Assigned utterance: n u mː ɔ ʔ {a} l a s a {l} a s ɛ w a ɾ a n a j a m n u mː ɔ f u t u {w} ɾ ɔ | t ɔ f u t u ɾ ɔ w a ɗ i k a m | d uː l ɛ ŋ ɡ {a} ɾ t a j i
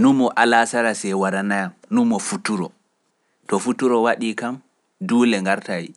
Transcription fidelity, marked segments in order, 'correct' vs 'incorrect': correct, incorrect, incorrect, correct

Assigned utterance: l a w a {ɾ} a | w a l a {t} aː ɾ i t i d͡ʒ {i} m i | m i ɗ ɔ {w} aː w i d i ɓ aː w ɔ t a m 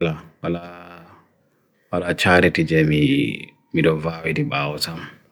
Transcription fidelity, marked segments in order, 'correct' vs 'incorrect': incorrect, incorrect, incorrect, incorrect

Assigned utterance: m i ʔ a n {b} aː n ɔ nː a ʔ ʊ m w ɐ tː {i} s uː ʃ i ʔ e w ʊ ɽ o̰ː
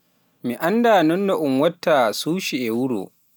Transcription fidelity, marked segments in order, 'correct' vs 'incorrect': incorrect, incorrect

